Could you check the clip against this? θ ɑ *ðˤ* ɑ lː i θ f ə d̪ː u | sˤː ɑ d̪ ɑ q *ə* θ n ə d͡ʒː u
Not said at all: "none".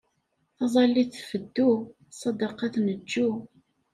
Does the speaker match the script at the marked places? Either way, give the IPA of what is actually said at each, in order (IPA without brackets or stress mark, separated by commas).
zˤ, ɑ